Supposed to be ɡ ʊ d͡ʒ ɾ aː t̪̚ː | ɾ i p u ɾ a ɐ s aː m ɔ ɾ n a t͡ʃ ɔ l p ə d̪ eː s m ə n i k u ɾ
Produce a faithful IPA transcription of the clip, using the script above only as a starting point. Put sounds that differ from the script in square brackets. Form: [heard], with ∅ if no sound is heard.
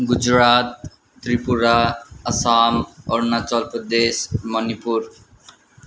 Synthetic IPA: ɡ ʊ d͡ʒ ɾ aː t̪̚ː | ɾ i p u ɾ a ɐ s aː m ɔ ɾ n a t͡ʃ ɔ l p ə d̪ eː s m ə n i [p] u ɾ